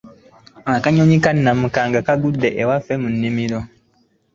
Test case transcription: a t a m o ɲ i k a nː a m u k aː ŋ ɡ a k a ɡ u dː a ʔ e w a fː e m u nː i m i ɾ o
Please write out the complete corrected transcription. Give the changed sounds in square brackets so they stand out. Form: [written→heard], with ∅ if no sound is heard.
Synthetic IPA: a [t→k] a [m→ɲ] o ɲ i k a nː a m u k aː ŋ ɡ a k a ɡ u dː [a→e] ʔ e w a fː e m u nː i m i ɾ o